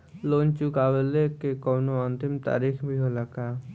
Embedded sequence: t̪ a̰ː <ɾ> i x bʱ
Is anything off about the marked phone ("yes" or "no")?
no